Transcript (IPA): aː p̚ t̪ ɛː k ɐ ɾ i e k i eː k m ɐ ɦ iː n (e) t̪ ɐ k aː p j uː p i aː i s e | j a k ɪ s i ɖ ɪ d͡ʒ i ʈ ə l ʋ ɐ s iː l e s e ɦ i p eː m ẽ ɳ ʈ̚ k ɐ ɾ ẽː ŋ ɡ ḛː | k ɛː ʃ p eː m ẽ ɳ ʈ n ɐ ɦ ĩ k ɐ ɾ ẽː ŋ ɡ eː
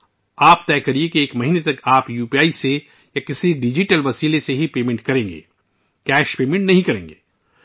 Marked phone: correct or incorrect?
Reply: correct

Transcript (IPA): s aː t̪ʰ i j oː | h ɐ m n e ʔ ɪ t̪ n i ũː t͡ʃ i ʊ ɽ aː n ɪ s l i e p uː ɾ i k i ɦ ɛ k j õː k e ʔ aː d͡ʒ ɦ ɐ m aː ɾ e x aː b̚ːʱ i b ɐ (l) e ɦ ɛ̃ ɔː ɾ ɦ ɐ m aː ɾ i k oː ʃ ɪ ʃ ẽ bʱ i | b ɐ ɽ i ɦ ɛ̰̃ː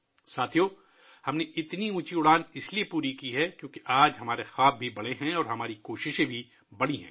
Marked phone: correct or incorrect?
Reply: incorrect: ɽ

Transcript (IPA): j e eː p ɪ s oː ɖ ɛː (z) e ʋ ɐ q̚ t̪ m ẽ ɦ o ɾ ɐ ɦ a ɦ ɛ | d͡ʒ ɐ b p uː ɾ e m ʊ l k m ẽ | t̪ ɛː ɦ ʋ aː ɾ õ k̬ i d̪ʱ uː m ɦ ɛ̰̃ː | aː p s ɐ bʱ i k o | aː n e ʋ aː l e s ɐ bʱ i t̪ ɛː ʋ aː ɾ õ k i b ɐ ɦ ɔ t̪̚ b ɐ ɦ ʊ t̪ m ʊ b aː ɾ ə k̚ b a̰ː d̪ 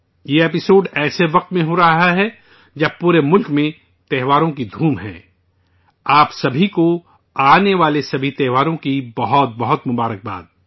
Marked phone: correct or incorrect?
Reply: incorrect: s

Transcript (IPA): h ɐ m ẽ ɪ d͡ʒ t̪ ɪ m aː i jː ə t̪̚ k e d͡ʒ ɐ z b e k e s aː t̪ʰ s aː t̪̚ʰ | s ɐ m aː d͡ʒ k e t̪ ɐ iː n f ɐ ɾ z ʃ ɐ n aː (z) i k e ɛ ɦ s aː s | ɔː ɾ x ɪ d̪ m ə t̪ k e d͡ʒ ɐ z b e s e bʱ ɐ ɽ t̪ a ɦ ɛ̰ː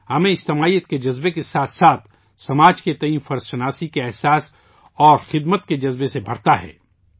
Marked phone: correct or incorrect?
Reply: incorrect: s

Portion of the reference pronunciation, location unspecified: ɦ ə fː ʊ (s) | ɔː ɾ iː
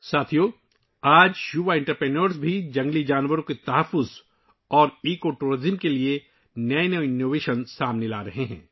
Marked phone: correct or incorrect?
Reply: incorrect: z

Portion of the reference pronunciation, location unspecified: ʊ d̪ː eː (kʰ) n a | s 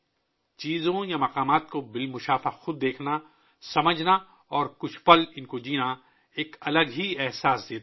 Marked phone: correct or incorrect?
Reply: correct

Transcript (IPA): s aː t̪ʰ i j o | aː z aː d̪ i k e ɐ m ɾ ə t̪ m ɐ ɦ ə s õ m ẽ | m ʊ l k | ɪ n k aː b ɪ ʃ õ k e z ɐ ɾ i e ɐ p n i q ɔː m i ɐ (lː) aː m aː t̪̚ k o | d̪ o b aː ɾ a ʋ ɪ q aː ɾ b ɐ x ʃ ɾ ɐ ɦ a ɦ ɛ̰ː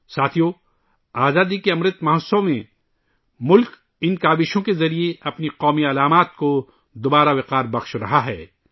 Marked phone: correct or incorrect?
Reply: incorrect: l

